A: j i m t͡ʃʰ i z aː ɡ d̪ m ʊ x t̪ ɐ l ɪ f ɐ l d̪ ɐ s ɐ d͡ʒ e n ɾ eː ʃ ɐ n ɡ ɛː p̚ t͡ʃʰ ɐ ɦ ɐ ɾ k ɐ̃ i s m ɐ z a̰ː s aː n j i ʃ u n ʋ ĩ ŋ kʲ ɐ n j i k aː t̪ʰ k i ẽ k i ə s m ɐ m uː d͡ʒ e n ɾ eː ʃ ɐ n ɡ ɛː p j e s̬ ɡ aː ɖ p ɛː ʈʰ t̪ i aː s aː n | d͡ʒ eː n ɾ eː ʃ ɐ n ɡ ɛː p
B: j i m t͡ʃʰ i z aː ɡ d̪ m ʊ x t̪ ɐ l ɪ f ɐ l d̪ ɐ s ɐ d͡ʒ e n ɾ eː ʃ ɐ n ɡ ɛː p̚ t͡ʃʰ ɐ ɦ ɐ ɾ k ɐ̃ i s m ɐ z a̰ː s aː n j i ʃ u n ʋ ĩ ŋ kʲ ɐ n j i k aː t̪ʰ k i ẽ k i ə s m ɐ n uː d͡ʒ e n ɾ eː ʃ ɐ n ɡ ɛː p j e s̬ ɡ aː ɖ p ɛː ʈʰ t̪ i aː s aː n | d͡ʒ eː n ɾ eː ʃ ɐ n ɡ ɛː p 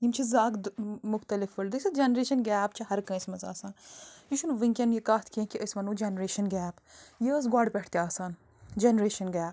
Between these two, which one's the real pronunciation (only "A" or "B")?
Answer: B